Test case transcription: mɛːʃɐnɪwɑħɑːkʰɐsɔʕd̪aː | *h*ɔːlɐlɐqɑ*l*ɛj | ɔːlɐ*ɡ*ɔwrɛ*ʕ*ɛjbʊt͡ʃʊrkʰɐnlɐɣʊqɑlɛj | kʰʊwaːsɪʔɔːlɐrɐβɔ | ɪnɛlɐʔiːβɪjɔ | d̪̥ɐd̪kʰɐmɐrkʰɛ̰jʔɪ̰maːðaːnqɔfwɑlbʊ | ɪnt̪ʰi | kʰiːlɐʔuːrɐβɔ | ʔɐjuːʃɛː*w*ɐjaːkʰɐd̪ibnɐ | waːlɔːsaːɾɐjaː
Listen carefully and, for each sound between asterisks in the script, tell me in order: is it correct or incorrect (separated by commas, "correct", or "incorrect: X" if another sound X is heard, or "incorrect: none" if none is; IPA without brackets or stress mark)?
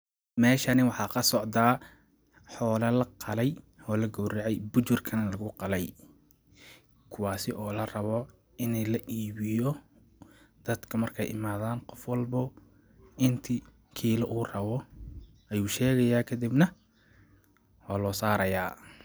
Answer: incorrect: ħ, correct, correct, correct, incorrect: ɣ